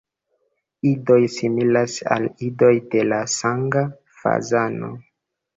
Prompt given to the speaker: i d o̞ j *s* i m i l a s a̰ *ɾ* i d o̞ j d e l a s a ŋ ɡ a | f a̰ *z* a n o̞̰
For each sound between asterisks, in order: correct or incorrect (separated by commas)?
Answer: correct, incorrect, correct